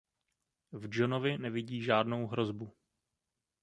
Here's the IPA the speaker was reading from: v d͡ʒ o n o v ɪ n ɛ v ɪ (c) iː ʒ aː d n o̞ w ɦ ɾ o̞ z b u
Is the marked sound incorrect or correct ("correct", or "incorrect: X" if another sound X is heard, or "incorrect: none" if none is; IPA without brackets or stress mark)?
incorrect: ɟ